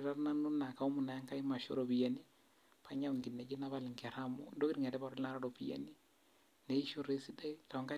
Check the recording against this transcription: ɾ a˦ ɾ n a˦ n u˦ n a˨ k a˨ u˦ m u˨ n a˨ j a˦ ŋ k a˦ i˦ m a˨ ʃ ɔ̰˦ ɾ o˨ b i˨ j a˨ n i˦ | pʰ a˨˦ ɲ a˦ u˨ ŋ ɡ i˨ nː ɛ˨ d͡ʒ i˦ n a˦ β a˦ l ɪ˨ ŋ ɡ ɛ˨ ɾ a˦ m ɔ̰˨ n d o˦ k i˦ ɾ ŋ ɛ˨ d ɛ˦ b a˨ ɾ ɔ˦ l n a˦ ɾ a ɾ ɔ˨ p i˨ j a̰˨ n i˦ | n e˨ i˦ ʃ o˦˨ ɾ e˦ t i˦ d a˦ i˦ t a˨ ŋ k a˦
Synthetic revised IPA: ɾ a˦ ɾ n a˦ n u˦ n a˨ k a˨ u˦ m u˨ n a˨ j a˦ ŋ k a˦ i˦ m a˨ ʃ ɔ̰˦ ɾ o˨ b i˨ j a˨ n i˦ | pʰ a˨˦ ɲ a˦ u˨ ŋ ɡ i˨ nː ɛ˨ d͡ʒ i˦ n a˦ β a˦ l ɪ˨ ŋ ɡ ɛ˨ ɾ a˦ m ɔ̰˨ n d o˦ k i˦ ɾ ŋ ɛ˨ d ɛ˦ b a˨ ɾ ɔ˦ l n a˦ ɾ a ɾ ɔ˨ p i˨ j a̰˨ n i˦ | n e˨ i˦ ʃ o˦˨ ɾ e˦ s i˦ d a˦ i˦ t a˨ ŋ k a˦